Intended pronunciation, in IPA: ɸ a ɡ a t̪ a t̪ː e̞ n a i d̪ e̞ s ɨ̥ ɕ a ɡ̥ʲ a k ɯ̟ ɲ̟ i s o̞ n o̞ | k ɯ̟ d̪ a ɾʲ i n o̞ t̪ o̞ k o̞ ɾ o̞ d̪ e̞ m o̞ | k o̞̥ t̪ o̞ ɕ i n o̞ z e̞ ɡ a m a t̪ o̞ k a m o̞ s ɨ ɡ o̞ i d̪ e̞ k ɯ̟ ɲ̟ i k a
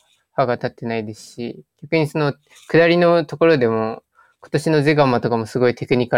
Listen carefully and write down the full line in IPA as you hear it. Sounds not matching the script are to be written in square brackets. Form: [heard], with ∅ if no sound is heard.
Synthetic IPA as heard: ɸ a ɡ a t̪ a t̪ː e̞ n a i d̪ e̞ s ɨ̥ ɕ [i] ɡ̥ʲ a k ɯ̟ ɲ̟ i s o̞ n o̞ | k ɯ̟ d̪ a ɾʲ i n o̞ t̪ o̞ k o̞ ɾ o̞ d̪ e̞ m o̞ | k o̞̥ t̪ o̞ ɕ i n o̞ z e̞ ɡ a m a t̪ o̞ k a m o̞ s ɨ ɡ o̞ i [t̪] e̞ k ɯ̟ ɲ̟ i k a